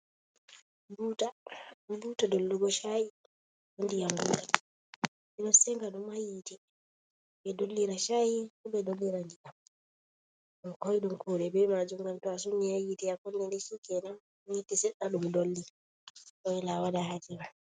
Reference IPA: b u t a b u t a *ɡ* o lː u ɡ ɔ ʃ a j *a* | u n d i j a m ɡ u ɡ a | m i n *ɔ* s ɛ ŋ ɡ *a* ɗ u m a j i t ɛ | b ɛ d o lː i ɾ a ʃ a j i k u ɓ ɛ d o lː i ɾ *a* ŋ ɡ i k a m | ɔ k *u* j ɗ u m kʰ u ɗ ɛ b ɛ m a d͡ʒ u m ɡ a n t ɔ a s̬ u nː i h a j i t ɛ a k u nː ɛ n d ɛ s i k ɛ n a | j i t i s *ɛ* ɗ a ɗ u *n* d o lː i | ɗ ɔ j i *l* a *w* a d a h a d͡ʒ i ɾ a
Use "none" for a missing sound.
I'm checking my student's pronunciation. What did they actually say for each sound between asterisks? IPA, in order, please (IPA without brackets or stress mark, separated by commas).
d, i, ɔ, a, a, ɔ, ɛ, m, l, w